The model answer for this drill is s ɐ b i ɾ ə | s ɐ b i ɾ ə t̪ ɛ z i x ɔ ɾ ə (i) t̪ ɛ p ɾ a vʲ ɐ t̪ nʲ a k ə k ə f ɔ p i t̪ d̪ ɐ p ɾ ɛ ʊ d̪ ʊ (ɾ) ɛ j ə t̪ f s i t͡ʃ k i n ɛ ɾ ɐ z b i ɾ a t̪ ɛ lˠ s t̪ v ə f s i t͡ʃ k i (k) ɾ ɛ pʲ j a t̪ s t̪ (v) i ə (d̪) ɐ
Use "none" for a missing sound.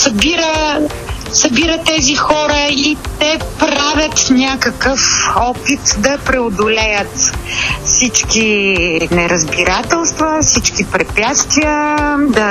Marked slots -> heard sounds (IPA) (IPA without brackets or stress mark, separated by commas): i, l, p, v, d̪